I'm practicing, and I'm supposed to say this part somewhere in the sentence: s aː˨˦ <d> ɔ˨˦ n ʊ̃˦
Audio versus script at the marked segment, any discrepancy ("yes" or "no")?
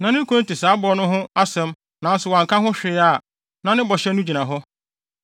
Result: yes